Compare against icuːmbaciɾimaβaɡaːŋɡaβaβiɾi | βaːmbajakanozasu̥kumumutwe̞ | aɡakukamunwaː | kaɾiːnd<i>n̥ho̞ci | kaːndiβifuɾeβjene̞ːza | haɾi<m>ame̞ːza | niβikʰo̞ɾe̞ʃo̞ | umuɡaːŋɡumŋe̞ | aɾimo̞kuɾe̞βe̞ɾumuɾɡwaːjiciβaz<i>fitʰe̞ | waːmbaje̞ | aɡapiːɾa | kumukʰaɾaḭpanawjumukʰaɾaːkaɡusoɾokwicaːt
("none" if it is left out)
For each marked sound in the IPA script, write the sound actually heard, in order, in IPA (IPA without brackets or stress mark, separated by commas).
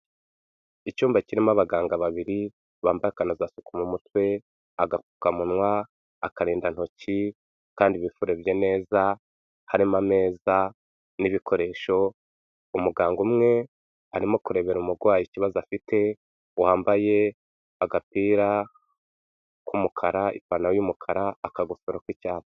a, m, a